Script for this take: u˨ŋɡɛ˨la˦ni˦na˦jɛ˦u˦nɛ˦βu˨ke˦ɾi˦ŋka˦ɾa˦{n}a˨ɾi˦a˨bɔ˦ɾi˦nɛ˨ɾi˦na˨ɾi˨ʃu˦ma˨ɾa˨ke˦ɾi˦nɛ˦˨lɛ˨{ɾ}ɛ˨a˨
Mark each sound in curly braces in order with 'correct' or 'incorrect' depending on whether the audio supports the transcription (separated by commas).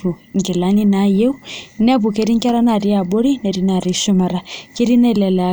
correct, incorrect